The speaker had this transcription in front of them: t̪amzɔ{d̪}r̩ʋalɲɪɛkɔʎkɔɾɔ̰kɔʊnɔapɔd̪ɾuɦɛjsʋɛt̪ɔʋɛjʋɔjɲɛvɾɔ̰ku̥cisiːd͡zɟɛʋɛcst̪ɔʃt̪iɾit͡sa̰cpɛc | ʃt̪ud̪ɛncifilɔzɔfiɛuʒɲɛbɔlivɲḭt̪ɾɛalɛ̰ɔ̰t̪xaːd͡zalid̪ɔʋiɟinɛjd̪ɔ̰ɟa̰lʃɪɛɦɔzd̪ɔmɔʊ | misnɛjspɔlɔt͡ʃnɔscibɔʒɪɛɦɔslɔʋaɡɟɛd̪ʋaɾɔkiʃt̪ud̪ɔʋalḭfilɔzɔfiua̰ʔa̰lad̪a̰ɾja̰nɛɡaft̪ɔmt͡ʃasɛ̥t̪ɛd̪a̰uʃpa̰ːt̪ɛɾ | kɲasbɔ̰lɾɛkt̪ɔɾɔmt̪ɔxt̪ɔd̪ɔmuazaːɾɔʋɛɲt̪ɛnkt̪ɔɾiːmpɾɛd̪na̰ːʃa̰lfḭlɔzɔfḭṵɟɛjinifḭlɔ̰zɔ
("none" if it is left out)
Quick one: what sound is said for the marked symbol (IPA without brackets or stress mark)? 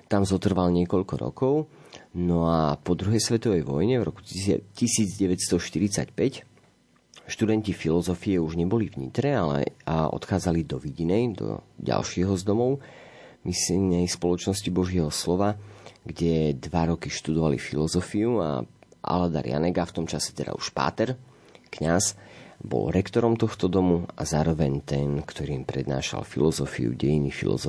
t̪